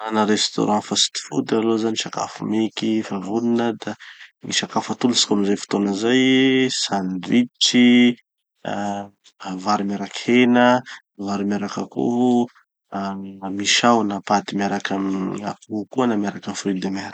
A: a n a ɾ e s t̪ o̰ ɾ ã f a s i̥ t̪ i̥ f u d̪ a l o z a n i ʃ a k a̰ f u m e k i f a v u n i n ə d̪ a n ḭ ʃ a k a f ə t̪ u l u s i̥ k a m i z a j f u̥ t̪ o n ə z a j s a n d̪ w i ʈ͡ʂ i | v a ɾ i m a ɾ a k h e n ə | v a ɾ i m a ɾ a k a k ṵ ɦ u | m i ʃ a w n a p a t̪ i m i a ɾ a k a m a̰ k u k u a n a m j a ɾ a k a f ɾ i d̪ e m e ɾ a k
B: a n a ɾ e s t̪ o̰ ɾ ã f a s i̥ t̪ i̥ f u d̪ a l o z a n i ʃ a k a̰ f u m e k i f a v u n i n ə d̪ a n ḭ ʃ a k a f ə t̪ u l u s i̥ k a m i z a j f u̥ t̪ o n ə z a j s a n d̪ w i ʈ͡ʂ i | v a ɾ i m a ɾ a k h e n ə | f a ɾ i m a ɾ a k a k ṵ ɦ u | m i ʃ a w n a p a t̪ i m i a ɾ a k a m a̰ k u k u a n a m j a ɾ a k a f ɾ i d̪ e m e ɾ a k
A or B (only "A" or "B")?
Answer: A